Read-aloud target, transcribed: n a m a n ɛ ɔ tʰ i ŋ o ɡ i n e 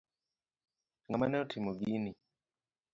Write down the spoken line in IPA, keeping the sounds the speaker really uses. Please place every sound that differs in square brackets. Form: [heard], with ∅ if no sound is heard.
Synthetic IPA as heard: [ŋ] a m a n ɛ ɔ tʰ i [m] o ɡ i n [i]